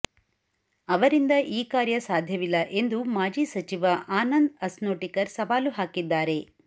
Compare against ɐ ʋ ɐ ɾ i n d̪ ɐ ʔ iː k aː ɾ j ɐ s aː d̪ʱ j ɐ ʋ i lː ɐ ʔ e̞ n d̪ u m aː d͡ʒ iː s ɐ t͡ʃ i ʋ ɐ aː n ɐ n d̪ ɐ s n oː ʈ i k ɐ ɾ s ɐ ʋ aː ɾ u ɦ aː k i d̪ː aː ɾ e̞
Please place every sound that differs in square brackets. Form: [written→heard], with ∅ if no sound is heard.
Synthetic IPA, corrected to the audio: ɐ ʋ ɐ ɾ i n d̪ ɐ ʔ iː k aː ɾ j ɐ s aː d̪ʱ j ɐ ʋ i lː ɐ ʔ e̞ n d̪ u m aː d͡ʒ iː s ɐ t͡ʃ i ʋ ɐ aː n ɐ n d̪ ɐ s n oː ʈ i k ɐ ɾ s ɐ ʋ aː [ɾ→l] u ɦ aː k i d̪ː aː ɾ e̞